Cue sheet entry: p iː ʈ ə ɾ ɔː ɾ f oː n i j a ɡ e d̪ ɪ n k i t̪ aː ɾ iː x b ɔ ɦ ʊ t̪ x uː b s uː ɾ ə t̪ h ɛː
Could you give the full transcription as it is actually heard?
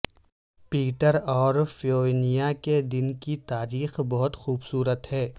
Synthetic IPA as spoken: p iː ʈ ə ɾ ɔː ɾ f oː n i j a k e d̪ ɪ n k i t̪ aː ɾ iː x b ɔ ɦ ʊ t̪ x uː b s uː ɾ ə t̪ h ɛː